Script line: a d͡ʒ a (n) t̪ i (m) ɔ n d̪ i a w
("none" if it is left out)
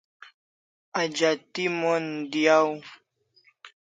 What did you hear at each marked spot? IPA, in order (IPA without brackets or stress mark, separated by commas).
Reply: none, m